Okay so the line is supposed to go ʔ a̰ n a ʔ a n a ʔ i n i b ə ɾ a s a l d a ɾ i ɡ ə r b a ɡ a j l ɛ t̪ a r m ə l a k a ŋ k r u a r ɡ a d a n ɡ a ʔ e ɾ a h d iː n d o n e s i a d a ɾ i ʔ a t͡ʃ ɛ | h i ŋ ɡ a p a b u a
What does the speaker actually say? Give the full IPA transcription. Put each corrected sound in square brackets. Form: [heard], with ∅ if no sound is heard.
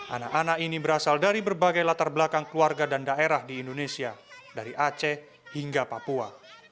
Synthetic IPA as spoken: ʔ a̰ n a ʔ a n a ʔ i n i b ə ɾ a s a l d a ɾ i [b] ə r b a ɡ a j l [a] t̪ a r [b] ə l a k a ŋ k [l] u a r ɡ a d a n [d] a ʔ e ɾ a h d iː n d o n e s i a d a ɾ i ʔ a t͡ʃ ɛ | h i ŋ ɡ a p a [p] u a

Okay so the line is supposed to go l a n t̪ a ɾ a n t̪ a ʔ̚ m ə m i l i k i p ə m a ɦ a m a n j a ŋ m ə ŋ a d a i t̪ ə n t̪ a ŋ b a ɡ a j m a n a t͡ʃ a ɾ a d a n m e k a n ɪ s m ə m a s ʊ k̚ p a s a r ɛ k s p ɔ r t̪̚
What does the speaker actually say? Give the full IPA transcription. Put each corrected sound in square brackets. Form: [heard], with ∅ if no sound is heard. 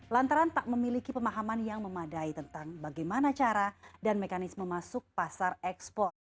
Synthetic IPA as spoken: l a n t̪ a ɾ a n t̪ a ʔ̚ m ə m i l i k i p ə m a ɦ a m a n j a ŋ m ə [m] a d a i t̪ ə n t̪ a ŋ b a ɡ a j m a n a t͡ʃ a ɾ a d a n m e k a n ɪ s m ə m a s ʊ k̚ p a s a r ɛ k s p ɔ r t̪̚

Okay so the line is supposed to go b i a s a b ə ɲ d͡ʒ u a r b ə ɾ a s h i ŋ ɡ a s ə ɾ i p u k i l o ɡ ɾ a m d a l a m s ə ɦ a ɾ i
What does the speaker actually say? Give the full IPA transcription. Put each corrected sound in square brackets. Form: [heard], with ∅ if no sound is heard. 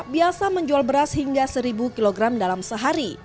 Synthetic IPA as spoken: b i a s a [m] ə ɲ d͡ʒ u a [l] b ə ɾ a s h i ŋ ɡ a s ə ɾ i [b] u k i l o ɡ ɾ a m d a l a m s ə ɦ a ɾ i

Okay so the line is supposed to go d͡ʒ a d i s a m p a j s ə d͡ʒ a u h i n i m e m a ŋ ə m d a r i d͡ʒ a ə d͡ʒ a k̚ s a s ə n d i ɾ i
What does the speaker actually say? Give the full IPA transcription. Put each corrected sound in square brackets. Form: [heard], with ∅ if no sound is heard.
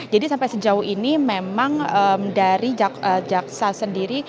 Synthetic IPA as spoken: d͡ʒ a d i s a m p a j s ə d͡ʒ a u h i n i m e m a ŋ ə m d a [ɾ] i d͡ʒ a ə d͡ʒ a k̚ s a s ə n d i ɾ i

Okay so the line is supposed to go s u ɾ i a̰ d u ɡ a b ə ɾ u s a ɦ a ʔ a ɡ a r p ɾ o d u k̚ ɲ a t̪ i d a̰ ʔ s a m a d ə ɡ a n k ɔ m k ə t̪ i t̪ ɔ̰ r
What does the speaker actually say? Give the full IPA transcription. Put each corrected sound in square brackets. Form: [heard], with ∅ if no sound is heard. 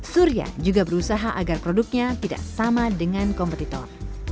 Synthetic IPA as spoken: s u ɾ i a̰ [d͡ʒ] u ɡ a b ə ɾ u s a ɦ a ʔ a ɡ a r p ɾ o d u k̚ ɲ a t̪ i d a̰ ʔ s a m a d ə [ŋ] a n k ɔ m [p] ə t̪ i t̪ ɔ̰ r

